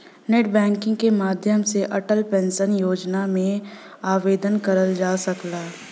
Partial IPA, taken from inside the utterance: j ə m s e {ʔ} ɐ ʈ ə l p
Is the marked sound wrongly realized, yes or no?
no